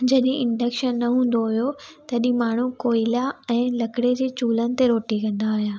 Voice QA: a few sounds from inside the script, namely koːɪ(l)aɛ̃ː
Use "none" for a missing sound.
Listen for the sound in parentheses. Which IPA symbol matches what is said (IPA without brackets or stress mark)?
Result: l